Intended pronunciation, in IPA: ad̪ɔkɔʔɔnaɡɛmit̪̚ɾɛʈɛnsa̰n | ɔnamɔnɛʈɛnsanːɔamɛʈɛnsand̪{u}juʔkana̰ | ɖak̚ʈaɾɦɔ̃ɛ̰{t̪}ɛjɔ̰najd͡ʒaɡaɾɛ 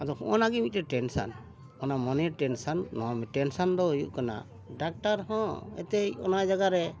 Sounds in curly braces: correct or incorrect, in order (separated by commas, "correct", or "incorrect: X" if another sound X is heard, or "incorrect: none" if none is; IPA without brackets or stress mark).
incorrect: ɔ, correct